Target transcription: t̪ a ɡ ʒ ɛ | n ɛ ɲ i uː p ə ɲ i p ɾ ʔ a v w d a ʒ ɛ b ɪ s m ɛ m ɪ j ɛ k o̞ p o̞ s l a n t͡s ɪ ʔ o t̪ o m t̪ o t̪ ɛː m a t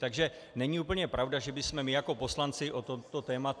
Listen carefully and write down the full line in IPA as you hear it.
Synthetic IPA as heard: t̪ a ɡ ʒ ɛ | n ɛ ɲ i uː p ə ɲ ɛ p ɾ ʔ a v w d a ʒ ɛ b ɪ s m ɛ m ɪ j a k o̞ p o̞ s l a n t͡s ɪ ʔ o t̪ o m t̪ o t̪ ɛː m a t

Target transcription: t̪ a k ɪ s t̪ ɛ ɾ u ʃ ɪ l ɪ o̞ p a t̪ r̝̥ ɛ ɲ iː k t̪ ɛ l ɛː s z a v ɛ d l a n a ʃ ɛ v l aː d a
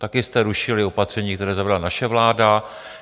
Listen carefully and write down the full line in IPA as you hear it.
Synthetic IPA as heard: t̪ a k ɪ s t̪ ɛ ɾ u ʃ ɪ l ɪ o̞ p a t̪ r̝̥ ɛ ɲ iː k t̪ ɛ ɾ ɛː z a v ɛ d l a n a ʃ ɛ v l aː d a

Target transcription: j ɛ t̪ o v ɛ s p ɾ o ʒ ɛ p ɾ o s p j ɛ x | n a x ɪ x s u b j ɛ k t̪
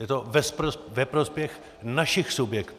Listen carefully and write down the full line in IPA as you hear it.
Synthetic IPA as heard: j ɛ t̪ o v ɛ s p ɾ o v ɛ p ɾ o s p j ɛ x | n a ʃ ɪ x s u b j ɛ k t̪

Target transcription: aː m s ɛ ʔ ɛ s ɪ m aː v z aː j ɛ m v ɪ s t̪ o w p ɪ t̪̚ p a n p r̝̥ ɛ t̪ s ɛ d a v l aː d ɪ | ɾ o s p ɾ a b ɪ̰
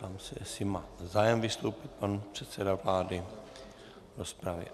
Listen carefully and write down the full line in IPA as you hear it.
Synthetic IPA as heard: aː m s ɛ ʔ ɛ s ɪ m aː z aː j ɛ m v ɪ s t̪ o w p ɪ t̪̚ p a n p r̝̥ ɛ t̪ s ɛ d a v l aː d ɪ | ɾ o s p ɾ a v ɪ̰

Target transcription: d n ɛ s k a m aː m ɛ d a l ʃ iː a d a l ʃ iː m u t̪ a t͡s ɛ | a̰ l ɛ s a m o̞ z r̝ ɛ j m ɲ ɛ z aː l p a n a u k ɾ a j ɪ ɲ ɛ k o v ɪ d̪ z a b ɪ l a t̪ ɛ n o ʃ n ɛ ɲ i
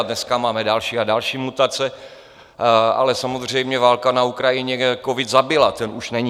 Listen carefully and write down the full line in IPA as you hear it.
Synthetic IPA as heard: d n ɛ s k a m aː m ɛ d a l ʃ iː a d a l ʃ iː m u t̪ a t͡s ɛ | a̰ l ɛ s a m o̞ z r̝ ɛ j m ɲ ɛ v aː l k a n a u k ɾ a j ɪ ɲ ɛ k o v ɪ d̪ z a b ɪ l a t̪ ɛ n u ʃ n ɛ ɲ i

